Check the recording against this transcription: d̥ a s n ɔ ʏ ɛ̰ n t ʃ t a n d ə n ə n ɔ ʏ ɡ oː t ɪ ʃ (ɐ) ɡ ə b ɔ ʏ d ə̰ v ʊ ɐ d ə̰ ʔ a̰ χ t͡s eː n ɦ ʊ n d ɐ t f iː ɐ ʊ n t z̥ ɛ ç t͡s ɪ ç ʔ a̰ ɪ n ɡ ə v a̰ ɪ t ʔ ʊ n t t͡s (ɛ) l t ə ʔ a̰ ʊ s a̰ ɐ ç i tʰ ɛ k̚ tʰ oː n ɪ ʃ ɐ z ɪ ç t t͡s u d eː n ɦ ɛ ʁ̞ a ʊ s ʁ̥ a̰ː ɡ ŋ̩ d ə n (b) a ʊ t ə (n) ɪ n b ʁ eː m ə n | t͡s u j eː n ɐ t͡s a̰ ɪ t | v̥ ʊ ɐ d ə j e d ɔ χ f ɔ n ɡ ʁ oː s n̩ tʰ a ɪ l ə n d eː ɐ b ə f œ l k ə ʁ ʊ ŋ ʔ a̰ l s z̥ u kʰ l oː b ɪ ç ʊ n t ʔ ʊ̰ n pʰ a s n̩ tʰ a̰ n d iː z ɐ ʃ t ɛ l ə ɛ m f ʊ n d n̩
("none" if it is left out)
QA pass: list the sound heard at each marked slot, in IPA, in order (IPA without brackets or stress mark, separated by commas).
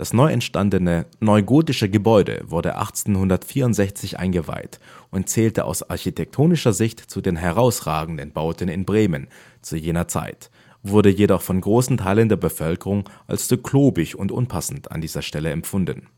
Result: ə, ɛː, b, n